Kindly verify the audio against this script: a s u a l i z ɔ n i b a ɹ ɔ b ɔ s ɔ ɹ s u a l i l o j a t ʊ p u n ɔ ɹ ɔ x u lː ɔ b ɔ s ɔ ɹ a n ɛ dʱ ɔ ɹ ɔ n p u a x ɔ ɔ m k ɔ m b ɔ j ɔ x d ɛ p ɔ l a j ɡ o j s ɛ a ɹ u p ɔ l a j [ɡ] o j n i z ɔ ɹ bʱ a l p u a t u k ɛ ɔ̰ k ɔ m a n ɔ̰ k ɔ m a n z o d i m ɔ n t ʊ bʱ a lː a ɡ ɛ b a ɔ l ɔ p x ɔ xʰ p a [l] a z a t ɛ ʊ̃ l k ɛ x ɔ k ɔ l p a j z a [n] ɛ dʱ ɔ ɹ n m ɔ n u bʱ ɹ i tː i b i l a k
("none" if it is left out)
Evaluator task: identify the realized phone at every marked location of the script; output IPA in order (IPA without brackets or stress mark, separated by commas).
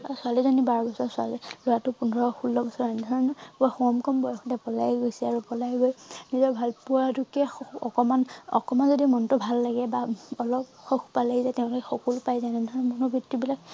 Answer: ɡ, l, n